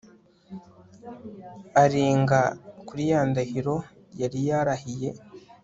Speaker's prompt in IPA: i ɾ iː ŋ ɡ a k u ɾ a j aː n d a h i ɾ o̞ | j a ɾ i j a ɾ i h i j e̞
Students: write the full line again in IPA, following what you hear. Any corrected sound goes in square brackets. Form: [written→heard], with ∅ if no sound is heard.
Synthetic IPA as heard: [i→a] ɾ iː ŋ ɡ a k u ɾ [a→i] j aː n d a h i ɾ o̞ | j a ɾ i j a ɾ [i→a] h i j e̞